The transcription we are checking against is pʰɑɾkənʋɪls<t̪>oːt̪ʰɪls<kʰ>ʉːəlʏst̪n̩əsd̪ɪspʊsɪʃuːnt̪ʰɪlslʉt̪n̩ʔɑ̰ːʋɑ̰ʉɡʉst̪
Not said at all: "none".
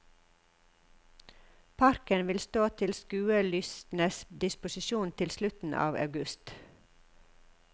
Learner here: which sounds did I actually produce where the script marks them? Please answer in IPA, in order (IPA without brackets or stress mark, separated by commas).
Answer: t̪, k